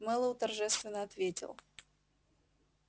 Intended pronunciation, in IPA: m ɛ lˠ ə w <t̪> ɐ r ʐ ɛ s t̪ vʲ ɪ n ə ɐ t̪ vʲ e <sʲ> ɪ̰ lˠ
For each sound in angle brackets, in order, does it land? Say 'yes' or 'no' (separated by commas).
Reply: yes, no